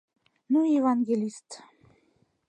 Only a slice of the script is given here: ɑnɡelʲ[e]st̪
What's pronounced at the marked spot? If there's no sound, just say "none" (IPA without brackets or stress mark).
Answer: i